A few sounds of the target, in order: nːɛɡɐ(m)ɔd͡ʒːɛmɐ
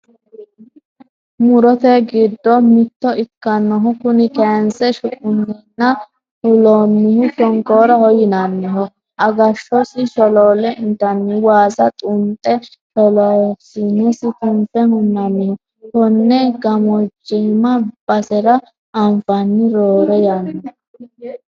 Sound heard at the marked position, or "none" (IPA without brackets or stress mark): m